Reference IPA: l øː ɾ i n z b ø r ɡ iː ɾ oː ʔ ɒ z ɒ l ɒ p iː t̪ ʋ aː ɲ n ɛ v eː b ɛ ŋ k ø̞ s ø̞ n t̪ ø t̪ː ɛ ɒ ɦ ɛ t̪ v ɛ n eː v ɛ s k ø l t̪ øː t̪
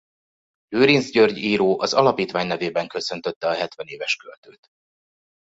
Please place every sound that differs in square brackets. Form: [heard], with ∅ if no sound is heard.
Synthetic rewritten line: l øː ɾ i n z [ɟ] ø r [ɟ] iː ɾ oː ʔ ɒ z ɒ l ɒ p iː t̪ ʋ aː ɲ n ɛ v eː b ɛ ŋ k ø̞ s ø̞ n t̪ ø t̪ː ɛ ɒ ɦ ɛ t̪ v ɛ n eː v ɛ [ʃ] k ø l t̪ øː t̪